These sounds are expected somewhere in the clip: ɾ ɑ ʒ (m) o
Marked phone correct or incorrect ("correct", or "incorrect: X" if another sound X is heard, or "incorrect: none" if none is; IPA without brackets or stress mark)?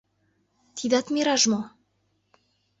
correct